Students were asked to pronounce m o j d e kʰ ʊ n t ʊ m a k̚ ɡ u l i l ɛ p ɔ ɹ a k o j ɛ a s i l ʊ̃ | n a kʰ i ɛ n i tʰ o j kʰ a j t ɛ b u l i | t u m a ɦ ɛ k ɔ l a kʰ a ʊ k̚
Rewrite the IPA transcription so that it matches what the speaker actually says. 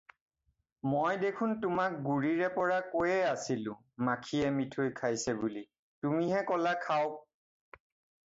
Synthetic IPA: m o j d e kʰ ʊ n t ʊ m a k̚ ɡ u ɹ i ɹ ɛ p ɔ ɹ a k o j ɛ a s i l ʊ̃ | m a kʰ i ɛ m i tʰ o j kʰ a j s ɛ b u l i | t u m i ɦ ɛ k ɔ l a kʰ a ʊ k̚